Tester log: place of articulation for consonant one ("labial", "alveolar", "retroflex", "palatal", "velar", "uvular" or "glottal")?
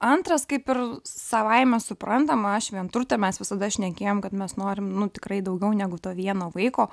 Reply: alveolar